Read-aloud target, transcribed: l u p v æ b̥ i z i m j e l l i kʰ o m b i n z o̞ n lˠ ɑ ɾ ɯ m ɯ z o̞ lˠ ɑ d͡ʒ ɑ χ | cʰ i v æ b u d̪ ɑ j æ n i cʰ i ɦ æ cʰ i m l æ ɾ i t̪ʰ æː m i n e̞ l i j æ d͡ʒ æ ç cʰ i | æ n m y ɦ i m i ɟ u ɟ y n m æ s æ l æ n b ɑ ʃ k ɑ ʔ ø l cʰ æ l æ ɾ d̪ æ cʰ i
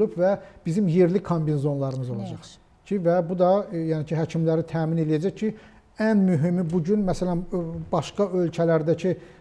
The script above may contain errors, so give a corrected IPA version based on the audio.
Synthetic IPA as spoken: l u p v æ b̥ i z i m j e ɾ l i kʰ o m b i n z o̞ n lˠ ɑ ɾ ɯ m ɯ z o̞ lˠ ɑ d͡ʒ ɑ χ | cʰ i v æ b u d̪ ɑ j æ n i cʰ i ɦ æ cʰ i m l æ ɾ i t̪ʰ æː m i n e̞ l i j æ d͡ʒ æ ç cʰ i | æ n m y ɦ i m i b u ɟ y n m æ s æ l æ n b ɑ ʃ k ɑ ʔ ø l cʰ æ l æ ɾ d̪ æ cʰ i